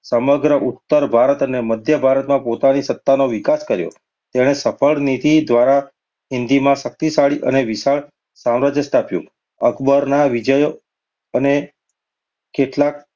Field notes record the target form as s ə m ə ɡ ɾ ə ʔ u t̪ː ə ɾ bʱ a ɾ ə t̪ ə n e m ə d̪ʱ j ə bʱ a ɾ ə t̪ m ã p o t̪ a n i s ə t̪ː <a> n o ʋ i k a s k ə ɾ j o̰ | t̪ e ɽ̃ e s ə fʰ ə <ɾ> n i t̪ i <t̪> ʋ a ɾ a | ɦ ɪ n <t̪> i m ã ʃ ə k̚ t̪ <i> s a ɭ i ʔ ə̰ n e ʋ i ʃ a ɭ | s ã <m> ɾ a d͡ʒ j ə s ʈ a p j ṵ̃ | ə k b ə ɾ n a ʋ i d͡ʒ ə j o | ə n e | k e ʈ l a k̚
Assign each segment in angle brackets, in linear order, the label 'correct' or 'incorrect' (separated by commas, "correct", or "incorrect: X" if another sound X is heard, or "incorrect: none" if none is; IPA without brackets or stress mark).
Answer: correct, incorrect: ɭ, incorrect: d̪, incorrect: d̪, correct, correct